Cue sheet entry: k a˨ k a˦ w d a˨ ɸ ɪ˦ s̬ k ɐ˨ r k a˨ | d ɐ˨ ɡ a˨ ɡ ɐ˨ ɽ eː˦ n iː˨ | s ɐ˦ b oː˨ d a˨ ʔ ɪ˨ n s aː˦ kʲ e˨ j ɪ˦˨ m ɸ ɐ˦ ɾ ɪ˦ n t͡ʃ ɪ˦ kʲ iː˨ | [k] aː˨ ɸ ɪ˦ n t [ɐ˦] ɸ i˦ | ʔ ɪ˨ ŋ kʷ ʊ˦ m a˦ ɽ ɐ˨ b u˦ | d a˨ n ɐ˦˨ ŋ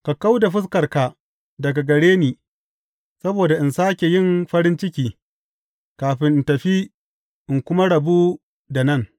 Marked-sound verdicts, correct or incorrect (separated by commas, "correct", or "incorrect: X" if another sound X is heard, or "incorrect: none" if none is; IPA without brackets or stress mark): correct, incorrect: ɐ˨